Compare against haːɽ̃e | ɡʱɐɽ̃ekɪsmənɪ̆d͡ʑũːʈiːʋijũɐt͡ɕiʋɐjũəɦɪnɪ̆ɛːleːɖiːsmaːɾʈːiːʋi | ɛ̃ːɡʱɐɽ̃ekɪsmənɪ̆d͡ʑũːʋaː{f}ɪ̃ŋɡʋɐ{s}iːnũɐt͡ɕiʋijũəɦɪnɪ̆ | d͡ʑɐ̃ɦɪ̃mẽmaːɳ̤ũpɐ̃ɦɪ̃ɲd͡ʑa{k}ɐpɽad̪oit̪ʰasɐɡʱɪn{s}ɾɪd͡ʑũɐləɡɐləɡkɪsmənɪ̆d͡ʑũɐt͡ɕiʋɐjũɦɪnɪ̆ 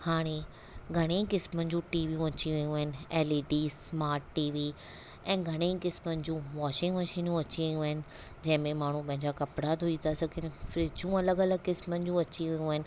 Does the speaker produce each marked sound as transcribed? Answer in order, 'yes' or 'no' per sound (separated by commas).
no, no, yes, no